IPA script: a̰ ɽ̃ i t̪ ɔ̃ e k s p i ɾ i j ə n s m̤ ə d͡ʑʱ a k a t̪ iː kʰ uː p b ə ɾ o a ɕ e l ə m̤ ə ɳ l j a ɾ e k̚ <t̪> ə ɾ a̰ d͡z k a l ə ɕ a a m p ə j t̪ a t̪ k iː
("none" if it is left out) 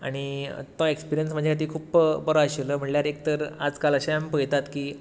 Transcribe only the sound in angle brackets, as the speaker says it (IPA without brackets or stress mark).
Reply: t̪